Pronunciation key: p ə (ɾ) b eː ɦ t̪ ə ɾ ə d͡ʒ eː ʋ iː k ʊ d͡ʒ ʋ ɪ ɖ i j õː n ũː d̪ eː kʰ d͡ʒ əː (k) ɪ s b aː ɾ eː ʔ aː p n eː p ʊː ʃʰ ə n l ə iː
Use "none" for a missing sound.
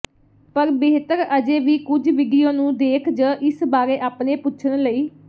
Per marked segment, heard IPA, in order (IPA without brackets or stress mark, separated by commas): ɾ, ʔ